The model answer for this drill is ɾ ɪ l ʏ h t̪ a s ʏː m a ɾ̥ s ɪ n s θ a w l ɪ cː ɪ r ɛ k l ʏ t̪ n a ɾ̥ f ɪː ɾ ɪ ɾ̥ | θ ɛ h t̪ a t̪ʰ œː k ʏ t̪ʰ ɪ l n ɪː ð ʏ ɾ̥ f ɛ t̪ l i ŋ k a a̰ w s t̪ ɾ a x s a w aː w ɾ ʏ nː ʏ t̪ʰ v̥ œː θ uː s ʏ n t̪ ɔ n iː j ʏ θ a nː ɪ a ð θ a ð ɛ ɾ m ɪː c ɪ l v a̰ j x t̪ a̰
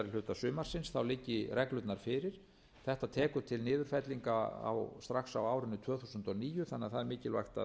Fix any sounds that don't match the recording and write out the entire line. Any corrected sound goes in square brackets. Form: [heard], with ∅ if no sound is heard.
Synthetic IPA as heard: ɾ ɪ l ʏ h t̪ a s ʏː m a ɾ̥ s ɪ n s θ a w l ɪ cː ɪ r ɛ k l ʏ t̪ n a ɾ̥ f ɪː ɾ ɪ ɾ̥ | θ ɛ h t̪ a t̪ʰ [ɛː] k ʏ t̪ʰ ɪ l n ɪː ð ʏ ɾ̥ f ɛ t̪ l i ŋ k a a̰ w s t̪ ɾ a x s a w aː w ɾ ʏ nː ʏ t̪ʰ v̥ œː θ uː s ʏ n t̪ ɔ n iː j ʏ θ a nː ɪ a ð θ a ð ɛ ɾ m ɪː c ɪ l v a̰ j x t̪ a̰